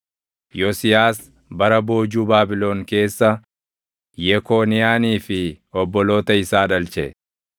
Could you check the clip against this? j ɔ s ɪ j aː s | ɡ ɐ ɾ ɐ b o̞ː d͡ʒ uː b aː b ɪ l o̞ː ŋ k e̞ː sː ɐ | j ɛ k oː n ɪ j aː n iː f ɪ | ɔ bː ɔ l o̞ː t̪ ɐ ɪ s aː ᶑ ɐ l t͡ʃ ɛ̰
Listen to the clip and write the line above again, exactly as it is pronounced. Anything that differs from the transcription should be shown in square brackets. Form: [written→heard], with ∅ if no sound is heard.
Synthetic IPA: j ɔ s ɪ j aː s | [ɡ→b] ɐ ɾ ɐ b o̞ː d͡ʒ uː b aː b ɪ l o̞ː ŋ k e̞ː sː ɐ | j ɛ k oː n ɪ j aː n iː f ɪ | ɔ bː ɔ l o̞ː t̪ ɐ ɪ s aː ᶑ ɐ l t͡ʃ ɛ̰